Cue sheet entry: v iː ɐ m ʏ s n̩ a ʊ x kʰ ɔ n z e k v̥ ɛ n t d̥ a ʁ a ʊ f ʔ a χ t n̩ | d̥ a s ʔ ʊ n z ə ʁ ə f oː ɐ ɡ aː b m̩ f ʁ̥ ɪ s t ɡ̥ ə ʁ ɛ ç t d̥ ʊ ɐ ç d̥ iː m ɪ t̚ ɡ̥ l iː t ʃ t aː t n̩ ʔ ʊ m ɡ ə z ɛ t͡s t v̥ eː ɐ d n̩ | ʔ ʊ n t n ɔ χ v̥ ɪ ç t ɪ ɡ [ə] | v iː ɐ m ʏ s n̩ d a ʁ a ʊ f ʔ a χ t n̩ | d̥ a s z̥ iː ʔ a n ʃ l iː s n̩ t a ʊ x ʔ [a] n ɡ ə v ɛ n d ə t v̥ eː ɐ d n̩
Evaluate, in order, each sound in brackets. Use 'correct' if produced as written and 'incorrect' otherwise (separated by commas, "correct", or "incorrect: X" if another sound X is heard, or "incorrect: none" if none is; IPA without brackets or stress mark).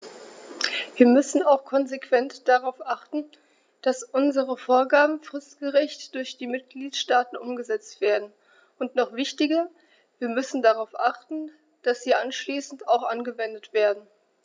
incorrect: ɐ, correct